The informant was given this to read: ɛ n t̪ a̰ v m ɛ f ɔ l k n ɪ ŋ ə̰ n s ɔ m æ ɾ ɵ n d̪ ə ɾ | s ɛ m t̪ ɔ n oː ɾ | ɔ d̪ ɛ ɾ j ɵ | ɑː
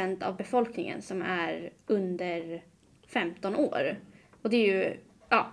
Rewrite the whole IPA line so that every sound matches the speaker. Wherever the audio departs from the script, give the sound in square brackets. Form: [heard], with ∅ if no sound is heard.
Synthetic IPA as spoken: ɛ n t̪ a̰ v [b] ɛ f ɔ l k n ɪ ŋ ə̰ n s ɔ m æ ɾ ɵ n d̪ ə ɾ | [f] ɛ m t̪ ɔ n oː ɾ | ɔ d̪ ɛ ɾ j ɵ | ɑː